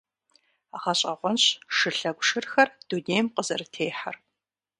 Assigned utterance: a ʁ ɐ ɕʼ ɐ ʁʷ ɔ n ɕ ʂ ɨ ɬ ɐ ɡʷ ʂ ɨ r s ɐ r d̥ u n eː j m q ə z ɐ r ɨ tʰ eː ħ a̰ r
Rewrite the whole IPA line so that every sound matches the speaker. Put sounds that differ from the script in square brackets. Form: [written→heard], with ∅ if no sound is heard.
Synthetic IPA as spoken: a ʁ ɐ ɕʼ ɐ ʁʷ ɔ n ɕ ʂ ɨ ɬ ɐ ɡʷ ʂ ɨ r [s→x] ɐ r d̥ u n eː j m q ə z ɐ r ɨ tʰ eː ħ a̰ r

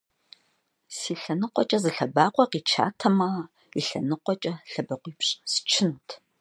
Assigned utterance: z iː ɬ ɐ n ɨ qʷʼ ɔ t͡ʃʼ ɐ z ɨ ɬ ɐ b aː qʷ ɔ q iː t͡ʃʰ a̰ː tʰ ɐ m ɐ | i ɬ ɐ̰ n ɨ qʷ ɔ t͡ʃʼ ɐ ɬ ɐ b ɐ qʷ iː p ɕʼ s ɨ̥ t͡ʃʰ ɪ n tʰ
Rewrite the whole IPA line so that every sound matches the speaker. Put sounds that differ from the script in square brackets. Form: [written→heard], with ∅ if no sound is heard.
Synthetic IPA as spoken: [z→s] iː ɬ ɐ n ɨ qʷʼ ɔ t͡ʃʼ ɐ z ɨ ɬ ɐ b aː qʷ ɔ q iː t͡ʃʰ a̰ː tʰ ɐ m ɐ | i ɬ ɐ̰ n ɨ qʷ ɔ t͡ʃʼ ɐ ɬ ɐ b ɐ qʷ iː p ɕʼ s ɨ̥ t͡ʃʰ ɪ n tʰ

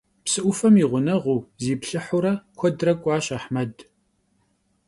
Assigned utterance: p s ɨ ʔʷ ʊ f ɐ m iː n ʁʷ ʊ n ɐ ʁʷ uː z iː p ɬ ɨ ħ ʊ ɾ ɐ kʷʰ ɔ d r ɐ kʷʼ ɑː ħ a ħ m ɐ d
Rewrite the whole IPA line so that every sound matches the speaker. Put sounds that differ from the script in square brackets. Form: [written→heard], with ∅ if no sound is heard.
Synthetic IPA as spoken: p s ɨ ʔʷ ʊ f ɐ m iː [n→∅] ʁʷ ʊ n ɐ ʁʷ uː z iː p ɬ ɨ ħ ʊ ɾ ɐ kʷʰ ɔ d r ɐ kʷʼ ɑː [ħ→ɕ] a ħ m ɐ d

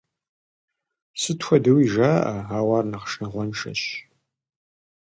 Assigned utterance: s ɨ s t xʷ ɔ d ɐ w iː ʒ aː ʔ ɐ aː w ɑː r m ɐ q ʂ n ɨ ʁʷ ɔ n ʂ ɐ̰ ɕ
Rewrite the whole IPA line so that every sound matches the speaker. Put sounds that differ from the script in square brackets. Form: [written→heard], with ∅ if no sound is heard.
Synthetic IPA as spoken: s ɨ [s→∅] t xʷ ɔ d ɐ w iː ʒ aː ʔ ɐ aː w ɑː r [m→n] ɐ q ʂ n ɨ ʁʷ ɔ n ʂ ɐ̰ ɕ

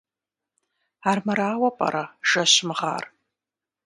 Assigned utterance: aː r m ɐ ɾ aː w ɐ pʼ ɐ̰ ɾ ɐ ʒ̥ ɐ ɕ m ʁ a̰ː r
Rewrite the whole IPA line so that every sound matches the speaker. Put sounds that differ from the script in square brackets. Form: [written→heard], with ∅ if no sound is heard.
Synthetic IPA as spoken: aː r m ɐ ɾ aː w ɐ pʼ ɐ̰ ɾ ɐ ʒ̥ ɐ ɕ m ʁ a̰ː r

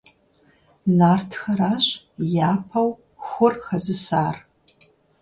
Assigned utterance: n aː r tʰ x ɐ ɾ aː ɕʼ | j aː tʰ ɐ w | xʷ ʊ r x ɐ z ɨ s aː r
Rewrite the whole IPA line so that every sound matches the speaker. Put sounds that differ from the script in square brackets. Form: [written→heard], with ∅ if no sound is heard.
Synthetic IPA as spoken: n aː r tʰ x ɐ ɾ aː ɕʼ | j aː [tʰ→pʰ] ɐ w | xʷ ʊ r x ɐ z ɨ s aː r

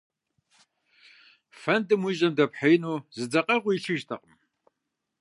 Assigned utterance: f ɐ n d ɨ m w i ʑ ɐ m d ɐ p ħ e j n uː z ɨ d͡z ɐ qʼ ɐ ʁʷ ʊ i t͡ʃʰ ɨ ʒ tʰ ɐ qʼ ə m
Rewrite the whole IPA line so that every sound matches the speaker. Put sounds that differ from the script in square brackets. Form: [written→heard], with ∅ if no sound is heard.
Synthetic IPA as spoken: f ɐ n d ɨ m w i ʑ ɐ m d ɐ p ħ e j n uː z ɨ d͡z ɐ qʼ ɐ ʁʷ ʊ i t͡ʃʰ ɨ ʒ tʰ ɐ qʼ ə m

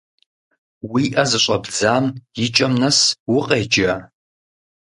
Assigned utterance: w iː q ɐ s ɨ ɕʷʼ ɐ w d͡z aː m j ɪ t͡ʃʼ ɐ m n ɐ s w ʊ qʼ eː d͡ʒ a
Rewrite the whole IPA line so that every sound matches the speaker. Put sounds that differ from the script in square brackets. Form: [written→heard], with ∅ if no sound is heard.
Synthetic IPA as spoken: w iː [q→ʔ] ɐ [s→z] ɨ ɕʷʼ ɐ [w→b] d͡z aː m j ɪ t͡ʃʼ ɐ m n ɐ s w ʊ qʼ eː d͡ʒ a

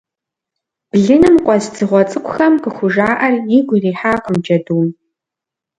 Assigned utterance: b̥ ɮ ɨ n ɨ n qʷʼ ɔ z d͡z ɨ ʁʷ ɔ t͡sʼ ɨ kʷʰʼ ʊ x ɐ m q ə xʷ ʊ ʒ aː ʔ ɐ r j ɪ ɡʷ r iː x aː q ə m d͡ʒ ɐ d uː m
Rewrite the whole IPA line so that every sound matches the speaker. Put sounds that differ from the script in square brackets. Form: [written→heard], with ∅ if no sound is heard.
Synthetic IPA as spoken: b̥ ɮ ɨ n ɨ [n→m] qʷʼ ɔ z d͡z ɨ ʁʷ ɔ t͡sʼ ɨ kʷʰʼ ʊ x ɐ m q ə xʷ ʊ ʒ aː ʔ ɐ r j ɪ ɡʷ r iː [x→ħ] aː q ə m d͡ʒ ɐ d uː m

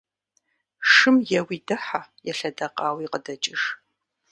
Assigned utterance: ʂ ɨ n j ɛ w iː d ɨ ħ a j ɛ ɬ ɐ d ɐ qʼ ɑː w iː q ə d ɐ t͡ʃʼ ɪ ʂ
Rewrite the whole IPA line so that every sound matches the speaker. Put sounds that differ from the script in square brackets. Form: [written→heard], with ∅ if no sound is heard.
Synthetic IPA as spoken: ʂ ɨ [n→m] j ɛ w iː d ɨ ħ a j ɛ ɬ ɐ d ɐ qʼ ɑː w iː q ə d ɐ t͡ʃʼ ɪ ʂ

